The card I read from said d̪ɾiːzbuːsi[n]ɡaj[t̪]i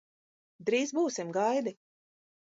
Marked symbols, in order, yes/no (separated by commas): no, no